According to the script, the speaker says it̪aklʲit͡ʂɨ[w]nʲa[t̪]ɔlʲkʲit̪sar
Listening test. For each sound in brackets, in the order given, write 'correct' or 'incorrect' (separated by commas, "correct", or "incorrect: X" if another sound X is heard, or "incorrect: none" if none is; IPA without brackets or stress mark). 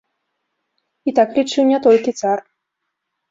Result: correct, correct